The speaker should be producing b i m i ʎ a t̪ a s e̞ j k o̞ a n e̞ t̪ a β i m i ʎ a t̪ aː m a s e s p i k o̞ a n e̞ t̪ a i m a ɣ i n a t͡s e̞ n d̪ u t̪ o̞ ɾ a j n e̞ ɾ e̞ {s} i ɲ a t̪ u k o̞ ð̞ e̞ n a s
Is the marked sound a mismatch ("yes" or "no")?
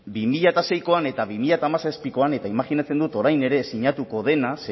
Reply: no